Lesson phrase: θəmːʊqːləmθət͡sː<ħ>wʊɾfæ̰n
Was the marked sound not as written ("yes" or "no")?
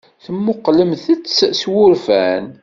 yes